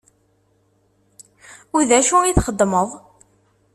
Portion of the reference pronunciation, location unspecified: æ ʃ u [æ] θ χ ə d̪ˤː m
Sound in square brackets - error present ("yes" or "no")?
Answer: yes